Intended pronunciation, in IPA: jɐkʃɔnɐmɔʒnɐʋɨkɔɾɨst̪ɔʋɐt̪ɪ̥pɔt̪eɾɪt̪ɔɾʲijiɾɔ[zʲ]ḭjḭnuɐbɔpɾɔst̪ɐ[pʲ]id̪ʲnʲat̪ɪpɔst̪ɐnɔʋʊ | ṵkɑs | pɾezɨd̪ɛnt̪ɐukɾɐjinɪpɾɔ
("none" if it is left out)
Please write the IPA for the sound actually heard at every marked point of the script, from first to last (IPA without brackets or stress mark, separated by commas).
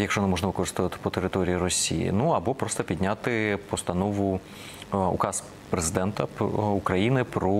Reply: sʲ, pʲ